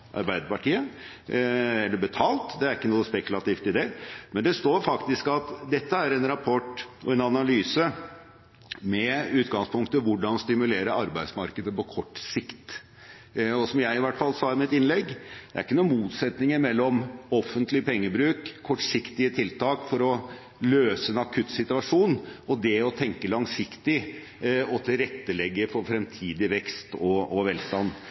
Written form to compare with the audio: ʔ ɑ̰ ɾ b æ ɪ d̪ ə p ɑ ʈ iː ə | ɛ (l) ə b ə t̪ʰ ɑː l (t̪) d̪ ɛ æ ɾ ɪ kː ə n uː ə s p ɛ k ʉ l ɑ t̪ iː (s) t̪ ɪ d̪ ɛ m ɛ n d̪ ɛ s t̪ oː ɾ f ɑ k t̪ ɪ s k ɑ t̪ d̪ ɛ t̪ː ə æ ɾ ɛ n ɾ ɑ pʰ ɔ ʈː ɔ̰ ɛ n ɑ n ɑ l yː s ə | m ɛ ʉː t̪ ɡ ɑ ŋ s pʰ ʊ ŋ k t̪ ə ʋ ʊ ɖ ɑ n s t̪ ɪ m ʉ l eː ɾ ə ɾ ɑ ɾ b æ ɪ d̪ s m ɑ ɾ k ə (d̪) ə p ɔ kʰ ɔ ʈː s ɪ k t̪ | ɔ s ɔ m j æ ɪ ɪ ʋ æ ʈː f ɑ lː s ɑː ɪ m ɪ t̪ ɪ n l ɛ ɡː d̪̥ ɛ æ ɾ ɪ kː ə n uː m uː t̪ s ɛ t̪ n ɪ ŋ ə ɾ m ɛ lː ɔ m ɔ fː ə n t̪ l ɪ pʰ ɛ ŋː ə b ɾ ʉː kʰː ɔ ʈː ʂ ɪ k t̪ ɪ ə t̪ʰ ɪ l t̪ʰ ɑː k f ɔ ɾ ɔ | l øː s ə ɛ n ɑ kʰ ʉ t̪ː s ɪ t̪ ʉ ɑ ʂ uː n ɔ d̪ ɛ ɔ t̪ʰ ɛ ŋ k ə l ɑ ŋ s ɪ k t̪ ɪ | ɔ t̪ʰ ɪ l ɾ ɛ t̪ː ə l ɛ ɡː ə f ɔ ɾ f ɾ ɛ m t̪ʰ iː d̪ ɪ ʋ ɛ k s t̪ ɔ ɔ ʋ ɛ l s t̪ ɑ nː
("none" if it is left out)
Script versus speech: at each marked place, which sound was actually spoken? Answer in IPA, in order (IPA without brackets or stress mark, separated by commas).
lː, t̪, f, d̪